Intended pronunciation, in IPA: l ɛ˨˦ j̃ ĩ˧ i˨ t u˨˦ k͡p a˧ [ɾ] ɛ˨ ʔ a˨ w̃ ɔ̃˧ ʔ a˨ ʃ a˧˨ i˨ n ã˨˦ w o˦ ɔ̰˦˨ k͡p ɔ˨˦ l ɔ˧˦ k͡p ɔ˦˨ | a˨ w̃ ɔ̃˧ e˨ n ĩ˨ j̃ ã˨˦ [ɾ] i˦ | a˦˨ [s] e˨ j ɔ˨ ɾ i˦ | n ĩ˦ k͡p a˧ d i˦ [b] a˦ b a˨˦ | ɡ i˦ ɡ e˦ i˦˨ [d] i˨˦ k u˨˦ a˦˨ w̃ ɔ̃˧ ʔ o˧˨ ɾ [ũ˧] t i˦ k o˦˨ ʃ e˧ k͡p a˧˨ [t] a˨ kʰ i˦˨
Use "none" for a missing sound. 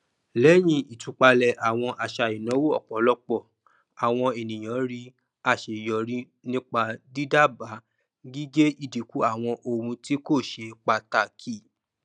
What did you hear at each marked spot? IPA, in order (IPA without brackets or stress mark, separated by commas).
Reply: l, ɾ, ʃ, d, d, ũ˧, t